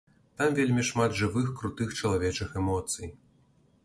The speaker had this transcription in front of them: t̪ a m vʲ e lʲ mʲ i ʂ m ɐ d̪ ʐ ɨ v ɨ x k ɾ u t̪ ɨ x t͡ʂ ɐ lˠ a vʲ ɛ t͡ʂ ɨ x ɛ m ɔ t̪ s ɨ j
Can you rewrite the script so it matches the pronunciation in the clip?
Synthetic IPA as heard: t̪ a m vʲ e lʲ mʲ i ʂ m a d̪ ʐ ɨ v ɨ x k ɾ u t̪ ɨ x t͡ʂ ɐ lˠ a vʲ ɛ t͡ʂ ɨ x ɛ m ɔ t̪ s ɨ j